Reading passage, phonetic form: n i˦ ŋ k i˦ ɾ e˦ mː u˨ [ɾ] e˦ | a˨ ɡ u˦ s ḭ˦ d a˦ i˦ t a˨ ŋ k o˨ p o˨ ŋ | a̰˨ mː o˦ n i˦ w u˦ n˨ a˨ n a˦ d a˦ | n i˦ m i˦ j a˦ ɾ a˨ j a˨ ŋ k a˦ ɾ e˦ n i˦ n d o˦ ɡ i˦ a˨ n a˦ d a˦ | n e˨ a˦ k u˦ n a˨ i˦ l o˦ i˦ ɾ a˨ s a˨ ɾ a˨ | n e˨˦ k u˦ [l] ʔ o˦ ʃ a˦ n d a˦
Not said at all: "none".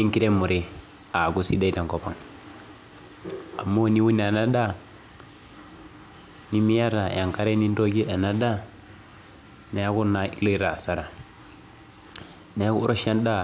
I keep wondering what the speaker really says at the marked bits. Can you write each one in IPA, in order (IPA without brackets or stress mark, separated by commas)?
ɾ, ɾ